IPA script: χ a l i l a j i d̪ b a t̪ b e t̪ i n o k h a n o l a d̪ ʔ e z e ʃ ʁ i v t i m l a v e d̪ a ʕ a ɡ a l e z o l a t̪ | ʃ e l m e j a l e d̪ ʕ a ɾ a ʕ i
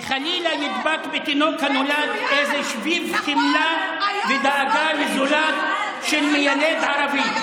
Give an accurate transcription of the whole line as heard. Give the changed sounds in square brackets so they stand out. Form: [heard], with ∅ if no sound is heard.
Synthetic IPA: χ a l i l a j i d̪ b a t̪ b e t̪ i n o k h a n o l a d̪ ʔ e z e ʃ [v] i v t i m l a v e d̪ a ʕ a ɡ a l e z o l a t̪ | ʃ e l m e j a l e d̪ ʕ a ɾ a [v] i